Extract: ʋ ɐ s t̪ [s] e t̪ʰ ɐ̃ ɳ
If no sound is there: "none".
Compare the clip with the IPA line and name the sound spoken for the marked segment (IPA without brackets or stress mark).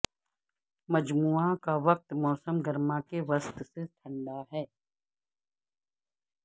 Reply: s